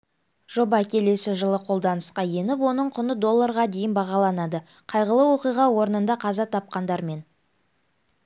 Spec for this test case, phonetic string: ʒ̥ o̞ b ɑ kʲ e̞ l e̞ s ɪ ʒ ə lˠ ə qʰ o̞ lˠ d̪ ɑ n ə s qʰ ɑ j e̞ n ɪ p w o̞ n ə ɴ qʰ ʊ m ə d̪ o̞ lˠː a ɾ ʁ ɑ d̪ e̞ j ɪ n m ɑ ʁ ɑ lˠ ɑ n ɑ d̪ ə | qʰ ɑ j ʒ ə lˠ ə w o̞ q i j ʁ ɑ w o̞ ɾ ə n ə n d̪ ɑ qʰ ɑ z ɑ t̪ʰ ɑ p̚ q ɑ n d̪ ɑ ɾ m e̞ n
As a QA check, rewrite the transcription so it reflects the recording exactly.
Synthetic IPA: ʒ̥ o̞ b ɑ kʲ e̞ l e̞ s ɪ ʒ ə lˠ ə qʰ o̞ lˠ d̪ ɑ n ə s q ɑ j e̞ n ɪ p w o̞ n ə ɴ qʰ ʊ n ə d̪ o̞ lˠː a ɾ ʁ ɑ d̪ e̞ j ɪ n b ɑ ʁ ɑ lˠ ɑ n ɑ d̪ ə | qʰ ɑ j ʁ ə lˠ ə w o̞ q i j ʁ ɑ w o̞ ɾ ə n ə n d̪ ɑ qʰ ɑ z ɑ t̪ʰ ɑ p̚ q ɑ n d̪ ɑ ɾ m e̞ n